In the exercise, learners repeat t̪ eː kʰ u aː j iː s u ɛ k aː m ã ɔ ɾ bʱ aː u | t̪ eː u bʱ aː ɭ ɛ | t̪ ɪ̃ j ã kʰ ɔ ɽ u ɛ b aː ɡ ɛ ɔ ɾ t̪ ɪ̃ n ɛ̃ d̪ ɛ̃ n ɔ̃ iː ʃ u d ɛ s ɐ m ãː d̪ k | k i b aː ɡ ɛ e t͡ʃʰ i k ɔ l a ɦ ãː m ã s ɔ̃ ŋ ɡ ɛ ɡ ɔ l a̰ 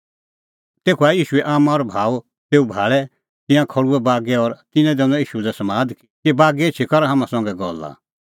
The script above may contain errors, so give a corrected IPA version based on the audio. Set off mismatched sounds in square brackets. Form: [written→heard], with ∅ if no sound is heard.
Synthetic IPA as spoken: t̪ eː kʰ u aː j iː [s→ʃ] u ɛ [k→ʔ] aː m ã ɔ ɾ bʱ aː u | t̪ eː u bʱ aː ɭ ɛ | t̪ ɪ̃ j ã kʰ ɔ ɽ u ɛ b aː ɡ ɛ ɔ ɾ t̪ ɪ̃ n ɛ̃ d̪ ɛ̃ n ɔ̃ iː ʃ u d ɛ s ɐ m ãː d̪ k | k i b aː ɡ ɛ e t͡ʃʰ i k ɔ [l→ɾ] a ɦ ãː m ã s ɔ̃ ŋ ɡ ɛ ɡ ɔ l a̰

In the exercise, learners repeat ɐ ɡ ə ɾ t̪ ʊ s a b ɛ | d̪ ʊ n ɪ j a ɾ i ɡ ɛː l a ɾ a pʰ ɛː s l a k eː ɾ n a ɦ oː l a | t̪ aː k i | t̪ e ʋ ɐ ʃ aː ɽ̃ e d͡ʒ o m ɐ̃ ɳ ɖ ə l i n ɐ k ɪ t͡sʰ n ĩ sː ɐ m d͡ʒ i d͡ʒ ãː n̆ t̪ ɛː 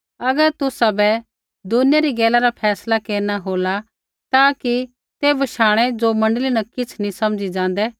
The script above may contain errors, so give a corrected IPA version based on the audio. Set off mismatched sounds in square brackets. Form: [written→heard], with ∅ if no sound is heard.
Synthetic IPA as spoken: ɐ ɡ ə ɾ t̪ ʊ s a b ɛ | d̪ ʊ n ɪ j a ɾ i ɡ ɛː l a ɾ a pʰ ɛː s l a k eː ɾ n a ɦ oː l a | t̪ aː k i | t̪ e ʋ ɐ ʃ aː ɽ̃ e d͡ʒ o m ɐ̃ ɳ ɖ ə l i n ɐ k ɪ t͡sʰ n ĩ [sː→s] ɐ m d͡ʒ i d͡ʒ ãː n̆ [t̪→d̪] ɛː

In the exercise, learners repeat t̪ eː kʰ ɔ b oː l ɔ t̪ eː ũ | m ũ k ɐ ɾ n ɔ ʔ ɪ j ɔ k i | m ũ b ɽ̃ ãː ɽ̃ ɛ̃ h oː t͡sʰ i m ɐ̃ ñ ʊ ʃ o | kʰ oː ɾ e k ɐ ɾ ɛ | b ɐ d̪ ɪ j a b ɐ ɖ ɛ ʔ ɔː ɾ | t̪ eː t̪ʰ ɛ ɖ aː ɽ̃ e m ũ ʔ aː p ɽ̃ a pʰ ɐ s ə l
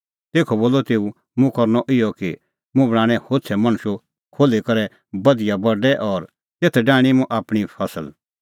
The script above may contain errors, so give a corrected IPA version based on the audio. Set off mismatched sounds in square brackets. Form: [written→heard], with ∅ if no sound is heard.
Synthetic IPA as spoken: t̪ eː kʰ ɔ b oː l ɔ t̪ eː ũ | m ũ k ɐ ɾ n ɔ ʔ ɪ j ɔ k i | m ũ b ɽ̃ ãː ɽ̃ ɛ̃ h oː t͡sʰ [i→ɛ] m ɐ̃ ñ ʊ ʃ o | kʰ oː [ɾ→l] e k ɐ ɾ ɛ | b ɐ d̪ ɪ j a b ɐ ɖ ɛ ʔ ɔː ɾ | t̪ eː t̪ʰ ɛ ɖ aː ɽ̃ [e→i] m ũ ʔ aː p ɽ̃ [a→i] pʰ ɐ s ə l

